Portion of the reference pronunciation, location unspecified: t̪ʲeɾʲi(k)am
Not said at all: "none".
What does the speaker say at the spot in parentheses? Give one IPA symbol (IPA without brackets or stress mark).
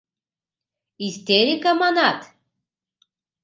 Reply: k